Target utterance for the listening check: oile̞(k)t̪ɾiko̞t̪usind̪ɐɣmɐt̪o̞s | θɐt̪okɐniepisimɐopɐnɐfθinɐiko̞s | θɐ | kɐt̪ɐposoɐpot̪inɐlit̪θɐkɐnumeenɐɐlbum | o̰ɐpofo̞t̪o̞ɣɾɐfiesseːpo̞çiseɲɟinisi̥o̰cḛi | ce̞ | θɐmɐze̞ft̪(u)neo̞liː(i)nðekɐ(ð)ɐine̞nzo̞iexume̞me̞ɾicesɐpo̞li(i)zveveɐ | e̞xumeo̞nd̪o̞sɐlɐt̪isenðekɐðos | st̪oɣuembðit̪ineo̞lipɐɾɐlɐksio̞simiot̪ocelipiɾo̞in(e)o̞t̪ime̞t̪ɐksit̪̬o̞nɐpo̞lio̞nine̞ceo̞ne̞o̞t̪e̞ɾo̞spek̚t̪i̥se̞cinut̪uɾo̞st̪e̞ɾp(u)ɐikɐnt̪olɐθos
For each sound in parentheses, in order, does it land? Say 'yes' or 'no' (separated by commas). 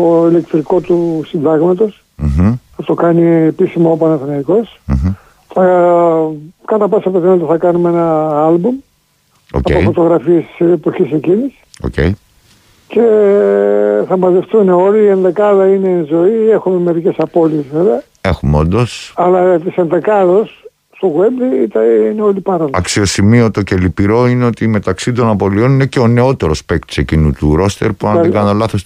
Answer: yes, yes, no, yes, no, yes, yes